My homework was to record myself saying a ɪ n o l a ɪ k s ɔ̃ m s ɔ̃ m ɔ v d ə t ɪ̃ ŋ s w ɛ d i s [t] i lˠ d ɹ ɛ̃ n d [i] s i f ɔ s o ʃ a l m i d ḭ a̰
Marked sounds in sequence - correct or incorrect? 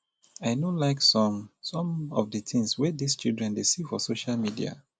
incorrect: t͡ʃ, incorrect: e

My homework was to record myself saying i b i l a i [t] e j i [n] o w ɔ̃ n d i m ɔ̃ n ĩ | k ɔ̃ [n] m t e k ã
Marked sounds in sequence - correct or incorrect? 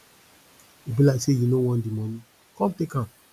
incorrect: s, correct, incorrect: none

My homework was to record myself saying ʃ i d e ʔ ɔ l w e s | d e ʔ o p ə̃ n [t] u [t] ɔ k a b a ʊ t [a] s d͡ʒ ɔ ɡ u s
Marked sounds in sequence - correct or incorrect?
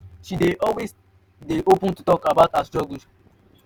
correct, correct, correct

